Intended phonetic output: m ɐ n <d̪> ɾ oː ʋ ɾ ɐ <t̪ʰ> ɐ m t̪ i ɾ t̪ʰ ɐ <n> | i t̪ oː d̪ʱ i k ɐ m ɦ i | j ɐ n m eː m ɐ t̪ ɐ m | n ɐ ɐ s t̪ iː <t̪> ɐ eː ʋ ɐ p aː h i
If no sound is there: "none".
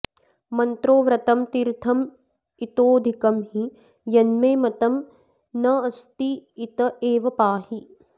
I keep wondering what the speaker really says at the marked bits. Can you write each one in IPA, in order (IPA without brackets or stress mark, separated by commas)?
t̪, t̪, m, t̪